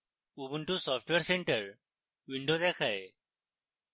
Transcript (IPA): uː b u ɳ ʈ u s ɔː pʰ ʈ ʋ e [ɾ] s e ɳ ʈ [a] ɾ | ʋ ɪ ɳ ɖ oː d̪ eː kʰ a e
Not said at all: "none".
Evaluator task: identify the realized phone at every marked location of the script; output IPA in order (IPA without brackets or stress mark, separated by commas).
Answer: ɾ, ə